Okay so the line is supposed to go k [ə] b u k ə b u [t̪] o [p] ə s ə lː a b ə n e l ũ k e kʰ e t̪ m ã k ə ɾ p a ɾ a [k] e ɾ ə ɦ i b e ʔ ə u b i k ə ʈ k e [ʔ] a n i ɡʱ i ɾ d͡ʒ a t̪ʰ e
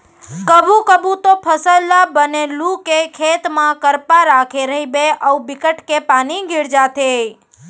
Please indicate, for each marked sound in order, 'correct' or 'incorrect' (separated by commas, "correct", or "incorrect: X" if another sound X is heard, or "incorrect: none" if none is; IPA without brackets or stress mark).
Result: correct, correct, incorrect: pʰ, incorrect: kʰ, incorrect: p